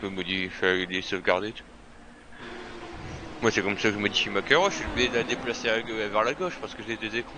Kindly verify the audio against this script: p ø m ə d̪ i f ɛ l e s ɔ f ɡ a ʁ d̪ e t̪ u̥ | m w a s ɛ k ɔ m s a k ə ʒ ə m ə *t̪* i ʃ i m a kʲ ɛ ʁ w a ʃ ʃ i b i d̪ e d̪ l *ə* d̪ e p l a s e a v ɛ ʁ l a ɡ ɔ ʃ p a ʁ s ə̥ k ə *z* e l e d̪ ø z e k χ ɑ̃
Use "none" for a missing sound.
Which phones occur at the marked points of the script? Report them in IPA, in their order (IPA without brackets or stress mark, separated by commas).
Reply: d̪, a, ʒ